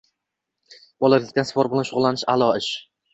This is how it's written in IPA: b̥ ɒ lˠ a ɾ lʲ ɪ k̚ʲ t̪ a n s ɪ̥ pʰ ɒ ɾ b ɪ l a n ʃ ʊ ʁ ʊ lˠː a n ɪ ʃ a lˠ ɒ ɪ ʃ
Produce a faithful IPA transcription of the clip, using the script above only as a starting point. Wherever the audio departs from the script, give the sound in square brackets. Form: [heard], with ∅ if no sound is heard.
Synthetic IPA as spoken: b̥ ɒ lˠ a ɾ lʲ ɪ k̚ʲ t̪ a n s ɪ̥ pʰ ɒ ɾ b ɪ l a n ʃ ʊ ʁ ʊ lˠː a n ɪ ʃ a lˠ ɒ ɪ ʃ

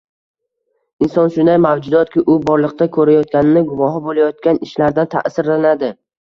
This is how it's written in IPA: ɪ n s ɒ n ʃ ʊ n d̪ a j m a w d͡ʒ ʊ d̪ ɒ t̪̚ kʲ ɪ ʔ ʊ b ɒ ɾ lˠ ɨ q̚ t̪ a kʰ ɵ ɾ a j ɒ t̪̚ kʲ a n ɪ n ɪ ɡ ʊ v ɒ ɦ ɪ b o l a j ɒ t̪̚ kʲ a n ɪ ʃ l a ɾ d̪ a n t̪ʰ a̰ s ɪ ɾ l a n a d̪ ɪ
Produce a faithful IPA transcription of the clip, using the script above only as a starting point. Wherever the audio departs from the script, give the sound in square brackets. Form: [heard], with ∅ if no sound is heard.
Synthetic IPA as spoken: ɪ n s ɒ n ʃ ʊ n d̪ a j m a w d͡ʒ ʊ d̪ ɒ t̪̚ kʲ ɪ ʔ ʊ b ɒ ɾ lˠ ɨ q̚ t̪ a kʰ ɵ ɾ a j ɒ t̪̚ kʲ a n ɪ n ɪ ɡ ʊ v ɒ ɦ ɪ b o l a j ɒ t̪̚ kʲ a n ɪ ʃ l a ɾ d̪ a n t̪ʰ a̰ s ɪ ɾ l a n a d̪ ɪ

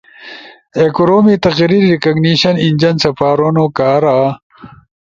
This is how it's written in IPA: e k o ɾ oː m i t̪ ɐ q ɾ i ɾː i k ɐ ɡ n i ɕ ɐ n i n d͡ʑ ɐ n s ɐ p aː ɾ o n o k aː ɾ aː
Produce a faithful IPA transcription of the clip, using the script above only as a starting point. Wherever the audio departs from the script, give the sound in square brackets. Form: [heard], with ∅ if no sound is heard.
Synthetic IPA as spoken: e k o ɾ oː m i t̪ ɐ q ɾ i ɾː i k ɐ ɡ n i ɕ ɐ n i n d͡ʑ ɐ n s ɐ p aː ɾ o n o k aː ɾ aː

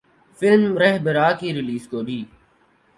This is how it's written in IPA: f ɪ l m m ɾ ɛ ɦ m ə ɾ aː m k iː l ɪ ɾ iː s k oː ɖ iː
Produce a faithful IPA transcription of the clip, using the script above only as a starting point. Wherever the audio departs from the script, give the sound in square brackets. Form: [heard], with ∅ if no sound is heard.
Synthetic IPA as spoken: f ɪ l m m ɾ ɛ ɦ [b] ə ɾ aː [∅] k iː [ɾ] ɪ [l] iː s k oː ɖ iː

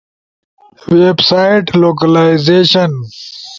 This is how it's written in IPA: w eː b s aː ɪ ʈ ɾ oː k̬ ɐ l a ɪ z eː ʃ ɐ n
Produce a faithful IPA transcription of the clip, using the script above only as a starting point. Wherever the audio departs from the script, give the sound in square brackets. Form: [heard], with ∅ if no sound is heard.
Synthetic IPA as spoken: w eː b s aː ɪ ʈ [l] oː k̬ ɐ l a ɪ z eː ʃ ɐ n

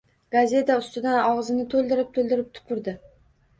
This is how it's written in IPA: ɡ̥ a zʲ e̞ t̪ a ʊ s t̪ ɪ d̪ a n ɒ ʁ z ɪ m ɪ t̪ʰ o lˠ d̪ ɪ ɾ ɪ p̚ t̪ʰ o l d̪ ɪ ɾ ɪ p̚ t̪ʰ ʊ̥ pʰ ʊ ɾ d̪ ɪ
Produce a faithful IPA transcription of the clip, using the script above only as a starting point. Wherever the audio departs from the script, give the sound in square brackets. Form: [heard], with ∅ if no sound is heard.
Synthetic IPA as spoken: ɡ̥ a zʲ e̞ t̪ a ʊ s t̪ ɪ d̪ a n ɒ ʁ z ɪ [n] ɪ t̪ʰ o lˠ d̪ ɪ ɾ ɪ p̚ t̪ʰ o l d̪ ɪ ɾ ɪ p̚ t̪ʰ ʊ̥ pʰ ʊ ɾ d̪ ɪ

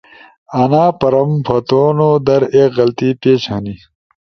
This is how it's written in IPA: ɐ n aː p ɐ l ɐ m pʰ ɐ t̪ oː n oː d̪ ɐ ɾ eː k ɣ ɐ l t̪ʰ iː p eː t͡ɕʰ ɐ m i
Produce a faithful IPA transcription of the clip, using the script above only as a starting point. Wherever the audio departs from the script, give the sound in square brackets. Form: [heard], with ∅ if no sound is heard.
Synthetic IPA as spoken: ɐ n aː p ɐ [ɾ] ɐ m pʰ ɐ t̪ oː n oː d̪ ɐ ɾ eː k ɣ ɐ l [t̪] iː p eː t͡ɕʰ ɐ [n] i

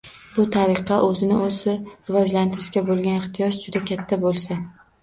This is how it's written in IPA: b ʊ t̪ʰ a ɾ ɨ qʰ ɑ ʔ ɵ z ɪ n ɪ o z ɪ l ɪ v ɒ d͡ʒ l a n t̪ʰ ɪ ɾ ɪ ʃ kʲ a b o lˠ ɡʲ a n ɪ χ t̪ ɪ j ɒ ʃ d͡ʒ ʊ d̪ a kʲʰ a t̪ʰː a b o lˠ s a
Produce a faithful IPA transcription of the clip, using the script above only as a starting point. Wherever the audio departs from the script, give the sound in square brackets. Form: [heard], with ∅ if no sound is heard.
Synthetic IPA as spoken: b ʊ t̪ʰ a ɾ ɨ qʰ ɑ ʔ ɵ z ɪ n ɪ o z ɪ [ɾ] ɪ v ɒ d͡ʒ l a n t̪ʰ ɪ ɾ ɪ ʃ kʲ a b o lˠ ɡʲ a n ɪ χ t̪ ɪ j ɒ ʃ d͡ʒ ʊ d̪ a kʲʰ a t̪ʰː a b o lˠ s a

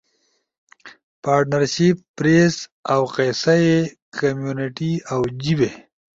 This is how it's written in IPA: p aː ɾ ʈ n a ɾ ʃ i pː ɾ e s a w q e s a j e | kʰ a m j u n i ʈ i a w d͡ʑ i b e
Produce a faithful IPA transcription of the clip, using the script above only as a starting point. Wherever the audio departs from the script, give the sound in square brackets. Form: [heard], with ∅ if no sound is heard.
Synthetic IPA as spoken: p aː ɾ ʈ n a ɾ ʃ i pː ɾ e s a w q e s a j e | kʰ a m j u n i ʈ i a w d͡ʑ i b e

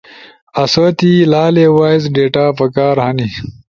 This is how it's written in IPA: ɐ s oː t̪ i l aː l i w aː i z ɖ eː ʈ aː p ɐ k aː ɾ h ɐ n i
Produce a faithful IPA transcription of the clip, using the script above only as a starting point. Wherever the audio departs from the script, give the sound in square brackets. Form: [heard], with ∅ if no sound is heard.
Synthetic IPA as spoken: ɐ s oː t̪ i l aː l [e] w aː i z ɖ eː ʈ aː p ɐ k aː ɾ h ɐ n i

